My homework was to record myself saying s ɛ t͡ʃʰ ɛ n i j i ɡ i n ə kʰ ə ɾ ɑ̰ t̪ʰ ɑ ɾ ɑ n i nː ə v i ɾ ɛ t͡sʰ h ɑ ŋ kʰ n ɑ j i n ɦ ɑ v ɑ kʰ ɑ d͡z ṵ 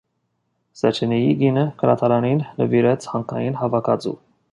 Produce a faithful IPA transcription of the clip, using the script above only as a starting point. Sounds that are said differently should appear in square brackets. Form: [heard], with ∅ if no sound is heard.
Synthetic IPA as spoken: s ɛ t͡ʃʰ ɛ n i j i ɡ i n ə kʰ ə ɾ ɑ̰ t̪ʰ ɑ ɾ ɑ n i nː ə v i ɾ ɛ t͡sʰ h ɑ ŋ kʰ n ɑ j i n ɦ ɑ v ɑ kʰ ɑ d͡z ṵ